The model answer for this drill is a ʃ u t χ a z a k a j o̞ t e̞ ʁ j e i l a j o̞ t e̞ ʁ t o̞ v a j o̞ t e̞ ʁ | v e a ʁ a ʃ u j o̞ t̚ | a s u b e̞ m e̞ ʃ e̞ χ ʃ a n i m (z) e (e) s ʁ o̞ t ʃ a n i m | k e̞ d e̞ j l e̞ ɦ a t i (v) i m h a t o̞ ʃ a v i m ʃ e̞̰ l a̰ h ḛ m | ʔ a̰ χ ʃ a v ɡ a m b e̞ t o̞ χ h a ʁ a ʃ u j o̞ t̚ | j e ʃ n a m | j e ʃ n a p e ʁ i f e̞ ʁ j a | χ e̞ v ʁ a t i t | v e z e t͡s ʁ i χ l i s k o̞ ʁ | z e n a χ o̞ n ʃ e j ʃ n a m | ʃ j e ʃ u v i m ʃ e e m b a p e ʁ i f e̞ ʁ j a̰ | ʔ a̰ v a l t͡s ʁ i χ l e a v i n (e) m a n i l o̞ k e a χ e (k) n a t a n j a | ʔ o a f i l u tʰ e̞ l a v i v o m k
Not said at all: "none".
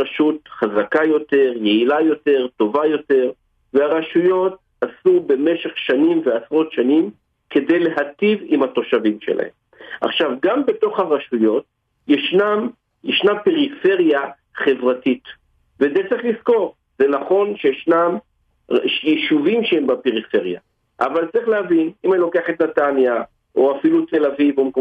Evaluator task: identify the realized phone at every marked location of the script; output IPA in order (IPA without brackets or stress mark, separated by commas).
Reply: v, a, v, i, t